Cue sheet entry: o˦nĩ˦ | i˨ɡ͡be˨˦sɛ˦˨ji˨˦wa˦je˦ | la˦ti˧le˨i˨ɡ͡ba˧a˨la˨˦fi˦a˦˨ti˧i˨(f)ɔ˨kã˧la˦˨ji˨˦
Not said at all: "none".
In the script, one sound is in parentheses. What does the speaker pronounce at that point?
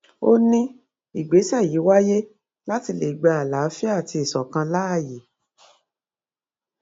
s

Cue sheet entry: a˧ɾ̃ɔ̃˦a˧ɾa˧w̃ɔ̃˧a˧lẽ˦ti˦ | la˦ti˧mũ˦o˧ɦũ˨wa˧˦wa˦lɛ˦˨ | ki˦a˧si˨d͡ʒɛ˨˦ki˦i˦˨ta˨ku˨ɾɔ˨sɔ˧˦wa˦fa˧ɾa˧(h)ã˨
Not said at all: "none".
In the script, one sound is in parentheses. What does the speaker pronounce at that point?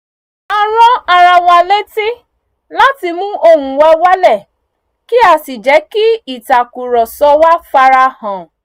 h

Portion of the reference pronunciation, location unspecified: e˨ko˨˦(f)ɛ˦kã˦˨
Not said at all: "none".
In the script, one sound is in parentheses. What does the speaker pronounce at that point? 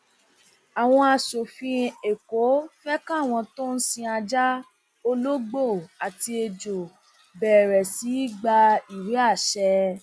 f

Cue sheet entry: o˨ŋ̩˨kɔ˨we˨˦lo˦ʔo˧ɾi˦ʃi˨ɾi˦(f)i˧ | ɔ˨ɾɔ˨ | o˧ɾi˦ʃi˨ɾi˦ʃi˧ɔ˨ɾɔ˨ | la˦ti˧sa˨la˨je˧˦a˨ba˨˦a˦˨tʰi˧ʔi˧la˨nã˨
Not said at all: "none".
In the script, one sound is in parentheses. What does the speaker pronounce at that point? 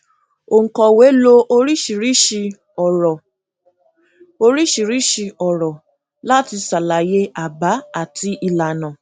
ʃ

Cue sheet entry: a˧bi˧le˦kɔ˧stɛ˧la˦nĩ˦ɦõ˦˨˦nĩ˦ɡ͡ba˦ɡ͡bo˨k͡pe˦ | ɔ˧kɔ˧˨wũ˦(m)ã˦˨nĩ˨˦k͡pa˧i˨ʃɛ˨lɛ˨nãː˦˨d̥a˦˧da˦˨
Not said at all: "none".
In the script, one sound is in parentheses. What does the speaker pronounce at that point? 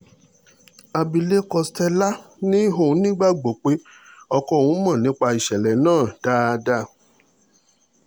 m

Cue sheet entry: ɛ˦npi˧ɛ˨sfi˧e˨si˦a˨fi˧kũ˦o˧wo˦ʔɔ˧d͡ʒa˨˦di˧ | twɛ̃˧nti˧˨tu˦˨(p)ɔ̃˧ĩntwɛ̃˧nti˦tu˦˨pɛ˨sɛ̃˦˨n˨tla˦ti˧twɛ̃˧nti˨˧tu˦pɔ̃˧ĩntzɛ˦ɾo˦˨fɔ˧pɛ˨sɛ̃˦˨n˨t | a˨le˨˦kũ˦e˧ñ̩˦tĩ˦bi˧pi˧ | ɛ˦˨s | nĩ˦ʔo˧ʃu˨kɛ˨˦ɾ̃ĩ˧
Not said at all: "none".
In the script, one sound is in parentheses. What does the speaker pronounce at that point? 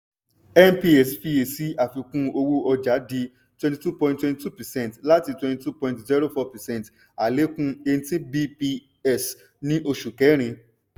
p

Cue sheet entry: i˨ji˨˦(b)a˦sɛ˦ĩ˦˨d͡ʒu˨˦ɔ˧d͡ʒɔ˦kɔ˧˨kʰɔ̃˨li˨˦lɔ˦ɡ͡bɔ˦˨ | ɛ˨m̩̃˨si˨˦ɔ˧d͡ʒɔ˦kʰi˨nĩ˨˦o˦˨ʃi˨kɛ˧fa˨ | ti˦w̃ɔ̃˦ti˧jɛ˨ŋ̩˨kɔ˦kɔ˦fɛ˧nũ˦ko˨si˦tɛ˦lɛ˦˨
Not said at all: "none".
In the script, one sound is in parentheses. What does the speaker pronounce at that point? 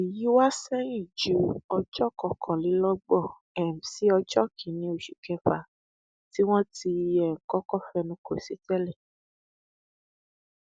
w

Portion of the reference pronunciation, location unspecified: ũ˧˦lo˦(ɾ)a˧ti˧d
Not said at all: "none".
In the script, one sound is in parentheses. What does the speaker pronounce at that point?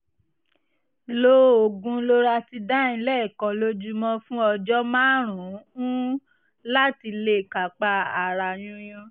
ɾ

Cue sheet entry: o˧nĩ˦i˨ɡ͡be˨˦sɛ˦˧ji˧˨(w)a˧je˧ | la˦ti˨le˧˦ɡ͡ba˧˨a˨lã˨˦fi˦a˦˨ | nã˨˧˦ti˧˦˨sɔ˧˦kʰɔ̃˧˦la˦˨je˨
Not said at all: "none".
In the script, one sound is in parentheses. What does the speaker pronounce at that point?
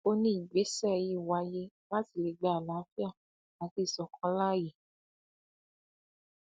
w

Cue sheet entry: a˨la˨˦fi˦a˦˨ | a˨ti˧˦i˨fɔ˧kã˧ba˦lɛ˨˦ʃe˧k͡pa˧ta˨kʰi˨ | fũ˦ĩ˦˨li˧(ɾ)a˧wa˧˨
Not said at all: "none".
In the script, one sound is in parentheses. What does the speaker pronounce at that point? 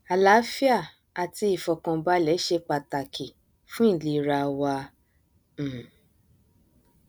ɾ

